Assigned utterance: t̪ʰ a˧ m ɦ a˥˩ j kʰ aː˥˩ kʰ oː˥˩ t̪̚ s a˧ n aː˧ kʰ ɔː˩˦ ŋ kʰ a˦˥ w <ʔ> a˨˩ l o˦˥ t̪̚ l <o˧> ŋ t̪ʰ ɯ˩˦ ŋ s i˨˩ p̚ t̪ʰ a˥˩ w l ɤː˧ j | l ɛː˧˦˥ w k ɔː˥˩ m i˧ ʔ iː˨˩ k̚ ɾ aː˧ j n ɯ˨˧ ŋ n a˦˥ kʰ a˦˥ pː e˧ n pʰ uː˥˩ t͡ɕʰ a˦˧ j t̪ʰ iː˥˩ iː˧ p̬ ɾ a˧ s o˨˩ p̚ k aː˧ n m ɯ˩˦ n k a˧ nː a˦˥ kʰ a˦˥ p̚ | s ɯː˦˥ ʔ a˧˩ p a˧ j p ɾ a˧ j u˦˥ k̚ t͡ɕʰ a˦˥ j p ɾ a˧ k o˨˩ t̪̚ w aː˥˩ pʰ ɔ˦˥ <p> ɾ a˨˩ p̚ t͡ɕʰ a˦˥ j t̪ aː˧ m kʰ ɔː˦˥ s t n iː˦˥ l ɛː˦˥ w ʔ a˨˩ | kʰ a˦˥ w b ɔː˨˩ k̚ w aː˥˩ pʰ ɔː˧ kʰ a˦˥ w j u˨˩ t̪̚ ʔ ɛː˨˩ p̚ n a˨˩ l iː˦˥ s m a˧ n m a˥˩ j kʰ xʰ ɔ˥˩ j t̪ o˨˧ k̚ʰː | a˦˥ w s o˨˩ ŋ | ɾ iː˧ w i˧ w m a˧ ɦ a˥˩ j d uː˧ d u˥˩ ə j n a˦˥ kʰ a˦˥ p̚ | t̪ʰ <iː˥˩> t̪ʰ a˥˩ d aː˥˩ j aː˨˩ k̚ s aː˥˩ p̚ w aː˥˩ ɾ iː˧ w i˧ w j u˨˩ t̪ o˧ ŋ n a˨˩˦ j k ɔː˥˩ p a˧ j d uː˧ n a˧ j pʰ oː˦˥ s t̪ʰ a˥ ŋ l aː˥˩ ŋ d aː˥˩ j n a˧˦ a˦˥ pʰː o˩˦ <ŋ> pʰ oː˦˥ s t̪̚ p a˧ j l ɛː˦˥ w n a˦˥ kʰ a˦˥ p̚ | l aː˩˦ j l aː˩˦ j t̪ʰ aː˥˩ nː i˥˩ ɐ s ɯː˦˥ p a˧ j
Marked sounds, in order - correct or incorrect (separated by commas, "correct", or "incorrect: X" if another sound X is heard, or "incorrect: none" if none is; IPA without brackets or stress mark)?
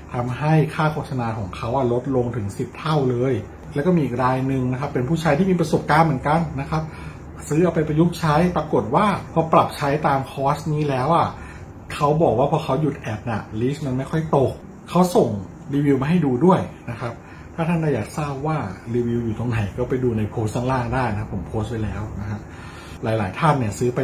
correct, correct, correct, incorrect: aː˥˩, incorrect: m